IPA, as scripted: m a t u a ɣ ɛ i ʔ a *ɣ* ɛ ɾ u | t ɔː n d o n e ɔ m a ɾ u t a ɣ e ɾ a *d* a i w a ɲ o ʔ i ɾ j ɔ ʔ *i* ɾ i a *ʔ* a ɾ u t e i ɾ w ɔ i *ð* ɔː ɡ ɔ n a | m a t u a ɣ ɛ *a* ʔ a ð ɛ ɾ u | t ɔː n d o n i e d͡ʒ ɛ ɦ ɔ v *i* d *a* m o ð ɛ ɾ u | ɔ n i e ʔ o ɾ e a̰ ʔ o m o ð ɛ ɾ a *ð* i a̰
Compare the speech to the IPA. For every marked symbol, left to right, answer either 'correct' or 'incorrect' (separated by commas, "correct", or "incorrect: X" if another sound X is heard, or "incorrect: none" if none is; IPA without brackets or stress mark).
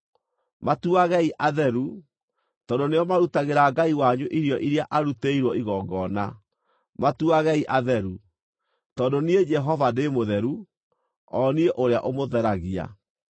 incorrect: ð, incorrect: ɡ, correct, correct, incorrect: ɣ, incorrect: i, incorrect: a, incorrect: e, incorrect: ɣ